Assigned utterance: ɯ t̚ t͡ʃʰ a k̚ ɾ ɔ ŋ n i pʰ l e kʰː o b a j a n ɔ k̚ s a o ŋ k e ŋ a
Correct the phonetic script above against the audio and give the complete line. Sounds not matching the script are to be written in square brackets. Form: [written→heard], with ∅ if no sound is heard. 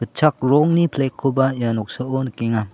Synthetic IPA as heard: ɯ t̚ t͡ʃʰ a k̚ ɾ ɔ ŋ n i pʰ l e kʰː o b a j a n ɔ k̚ s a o [ŋ→n] k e ŋ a